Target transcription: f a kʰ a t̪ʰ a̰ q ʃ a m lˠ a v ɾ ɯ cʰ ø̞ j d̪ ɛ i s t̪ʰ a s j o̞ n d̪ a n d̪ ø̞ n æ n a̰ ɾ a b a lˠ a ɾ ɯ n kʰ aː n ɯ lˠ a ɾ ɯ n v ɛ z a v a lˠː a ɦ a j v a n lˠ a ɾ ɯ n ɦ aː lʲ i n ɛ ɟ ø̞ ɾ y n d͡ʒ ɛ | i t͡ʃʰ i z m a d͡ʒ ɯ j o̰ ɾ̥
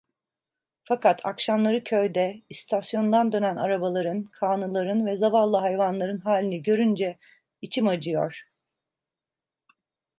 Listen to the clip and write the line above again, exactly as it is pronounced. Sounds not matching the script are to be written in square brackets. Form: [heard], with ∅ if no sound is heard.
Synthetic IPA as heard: f a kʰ a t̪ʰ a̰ [k] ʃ a m lˠ a [∅] ɾ ɯ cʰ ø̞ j d̪ ɛ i s t̪ʰ a s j o̞ n d̪ a n d̪ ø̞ n æ n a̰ ɾ a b a lˠ a ɾ ɯ n kʰ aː n ɯ lˠ a ɾ ɯ n v ɛ z a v a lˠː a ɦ a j v a n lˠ a ɾ ɯ n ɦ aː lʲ i n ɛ ɟ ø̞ ɾ y n d͡ʒ ɛ | i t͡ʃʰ i [∅] m a d͡ʒ ɯ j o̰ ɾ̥